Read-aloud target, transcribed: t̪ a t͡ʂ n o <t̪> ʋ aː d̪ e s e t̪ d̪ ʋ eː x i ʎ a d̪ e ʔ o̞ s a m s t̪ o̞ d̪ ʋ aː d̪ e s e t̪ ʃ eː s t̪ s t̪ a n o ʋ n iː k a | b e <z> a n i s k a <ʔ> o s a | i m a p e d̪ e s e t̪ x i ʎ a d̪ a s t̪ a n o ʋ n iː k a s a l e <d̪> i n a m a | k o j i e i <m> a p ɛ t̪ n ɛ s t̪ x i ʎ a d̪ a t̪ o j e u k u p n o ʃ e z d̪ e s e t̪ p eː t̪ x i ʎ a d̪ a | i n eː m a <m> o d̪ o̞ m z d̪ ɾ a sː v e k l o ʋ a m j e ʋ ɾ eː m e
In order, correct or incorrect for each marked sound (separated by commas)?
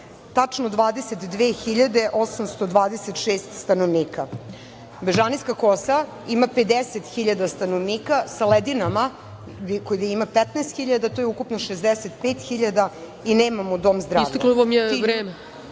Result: incorrect, incorrect, incorrect, correct, correct, correct